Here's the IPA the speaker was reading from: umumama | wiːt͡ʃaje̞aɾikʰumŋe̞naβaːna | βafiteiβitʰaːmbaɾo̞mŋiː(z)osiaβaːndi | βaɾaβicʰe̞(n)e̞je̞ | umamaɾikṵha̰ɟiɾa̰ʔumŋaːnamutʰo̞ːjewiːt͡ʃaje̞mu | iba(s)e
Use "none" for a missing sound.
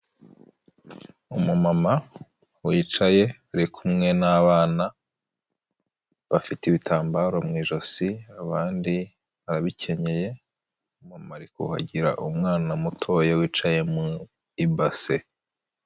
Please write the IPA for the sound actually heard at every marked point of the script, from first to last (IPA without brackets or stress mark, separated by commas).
ʒ, ɲ, s